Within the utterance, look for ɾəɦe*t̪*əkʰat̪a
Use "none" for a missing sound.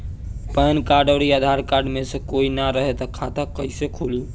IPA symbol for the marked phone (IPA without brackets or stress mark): t̪